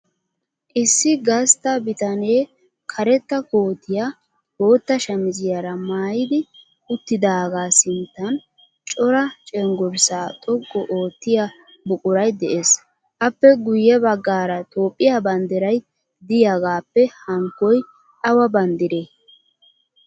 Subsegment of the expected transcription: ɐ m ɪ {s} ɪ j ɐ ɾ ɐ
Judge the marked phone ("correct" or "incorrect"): incorrect